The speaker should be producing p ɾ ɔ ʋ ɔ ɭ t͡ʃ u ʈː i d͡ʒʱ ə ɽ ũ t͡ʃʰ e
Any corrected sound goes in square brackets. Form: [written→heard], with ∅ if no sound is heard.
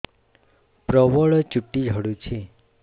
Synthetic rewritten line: p ɾ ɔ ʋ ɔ ɭ t͡ʃ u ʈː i d͡ʒʱ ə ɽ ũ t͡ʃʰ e